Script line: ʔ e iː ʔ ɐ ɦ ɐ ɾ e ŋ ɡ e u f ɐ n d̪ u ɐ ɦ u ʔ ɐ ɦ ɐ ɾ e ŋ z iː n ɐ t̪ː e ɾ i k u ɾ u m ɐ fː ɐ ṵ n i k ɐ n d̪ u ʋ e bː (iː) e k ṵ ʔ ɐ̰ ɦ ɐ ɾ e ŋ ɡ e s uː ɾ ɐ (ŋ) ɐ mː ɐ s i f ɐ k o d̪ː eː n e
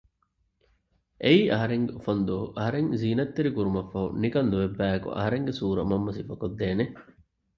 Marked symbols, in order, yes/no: no, no

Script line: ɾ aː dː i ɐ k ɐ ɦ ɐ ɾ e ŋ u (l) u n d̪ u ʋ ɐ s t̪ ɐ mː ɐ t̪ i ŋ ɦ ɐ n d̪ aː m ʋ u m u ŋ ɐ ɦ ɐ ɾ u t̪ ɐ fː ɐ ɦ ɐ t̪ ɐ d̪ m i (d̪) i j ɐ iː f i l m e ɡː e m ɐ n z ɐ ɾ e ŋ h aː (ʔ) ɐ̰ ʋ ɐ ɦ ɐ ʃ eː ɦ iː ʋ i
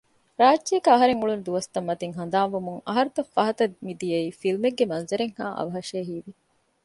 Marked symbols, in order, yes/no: no, yes, yes

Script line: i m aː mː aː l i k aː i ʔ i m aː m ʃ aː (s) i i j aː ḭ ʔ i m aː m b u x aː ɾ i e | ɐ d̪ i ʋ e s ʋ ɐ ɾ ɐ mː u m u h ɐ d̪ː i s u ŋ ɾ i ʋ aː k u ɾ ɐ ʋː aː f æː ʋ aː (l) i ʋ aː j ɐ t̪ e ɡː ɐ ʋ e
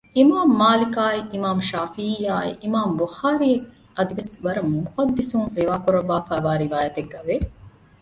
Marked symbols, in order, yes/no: no, no

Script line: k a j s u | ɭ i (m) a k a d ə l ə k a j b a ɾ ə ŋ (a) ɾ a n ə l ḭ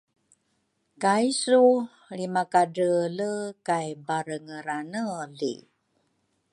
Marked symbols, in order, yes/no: yes, no

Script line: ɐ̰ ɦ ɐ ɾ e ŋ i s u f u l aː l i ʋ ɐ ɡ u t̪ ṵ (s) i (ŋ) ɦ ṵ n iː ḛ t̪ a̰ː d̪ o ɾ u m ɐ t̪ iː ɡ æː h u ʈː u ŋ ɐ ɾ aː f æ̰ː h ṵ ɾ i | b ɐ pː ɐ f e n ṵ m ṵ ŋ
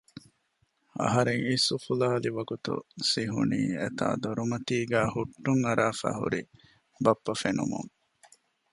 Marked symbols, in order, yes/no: yes, no

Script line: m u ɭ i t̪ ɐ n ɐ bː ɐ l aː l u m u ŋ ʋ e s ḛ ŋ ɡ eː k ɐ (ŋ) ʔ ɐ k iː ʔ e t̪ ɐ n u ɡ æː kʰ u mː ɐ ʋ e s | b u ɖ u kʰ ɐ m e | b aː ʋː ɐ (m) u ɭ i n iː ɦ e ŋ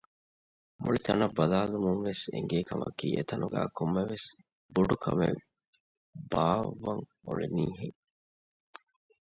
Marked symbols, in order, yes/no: no, no

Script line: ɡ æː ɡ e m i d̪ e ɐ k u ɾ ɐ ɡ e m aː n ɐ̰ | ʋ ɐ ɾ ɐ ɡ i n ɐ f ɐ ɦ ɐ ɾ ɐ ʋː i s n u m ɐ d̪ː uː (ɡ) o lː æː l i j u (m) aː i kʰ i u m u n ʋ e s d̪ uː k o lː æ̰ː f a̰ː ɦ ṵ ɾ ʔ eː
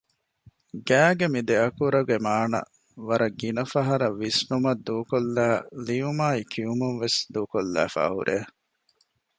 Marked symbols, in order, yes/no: no, yes

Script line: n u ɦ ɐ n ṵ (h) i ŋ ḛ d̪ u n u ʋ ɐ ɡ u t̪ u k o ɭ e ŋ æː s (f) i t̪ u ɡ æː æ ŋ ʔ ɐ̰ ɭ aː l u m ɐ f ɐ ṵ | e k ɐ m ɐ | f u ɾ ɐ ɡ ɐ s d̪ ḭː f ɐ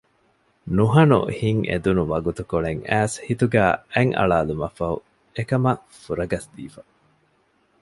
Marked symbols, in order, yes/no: yes, no

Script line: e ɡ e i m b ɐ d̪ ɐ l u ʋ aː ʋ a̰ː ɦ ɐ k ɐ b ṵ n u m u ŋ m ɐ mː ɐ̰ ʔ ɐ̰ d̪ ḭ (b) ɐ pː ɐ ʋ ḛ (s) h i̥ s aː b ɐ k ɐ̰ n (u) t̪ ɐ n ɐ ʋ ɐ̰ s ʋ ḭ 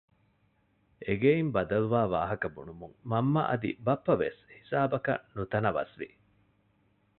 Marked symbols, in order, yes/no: yes, yes, yes

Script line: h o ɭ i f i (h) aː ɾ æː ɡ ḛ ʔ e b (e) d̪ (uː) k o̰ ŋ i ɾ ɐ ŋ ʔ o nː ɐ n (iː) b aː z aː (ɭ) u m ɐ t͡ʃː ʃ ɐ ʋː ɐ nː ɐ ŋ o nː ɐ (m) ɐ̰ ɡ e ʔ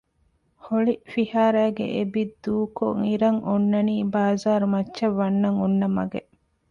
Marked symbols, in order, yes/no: yes, no, yes, yes, no, yes

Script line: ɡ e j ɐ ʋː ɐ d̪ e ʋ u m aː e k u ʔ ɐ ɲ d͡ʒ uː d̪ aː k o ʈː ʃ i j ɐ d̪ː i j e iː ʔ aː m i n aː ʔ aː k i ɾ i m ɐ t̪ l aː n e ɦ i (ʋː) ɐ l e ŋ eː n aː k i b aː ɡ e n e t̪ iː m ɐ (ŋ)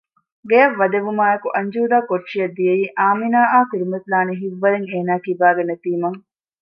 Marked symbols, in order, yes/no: yes, yes

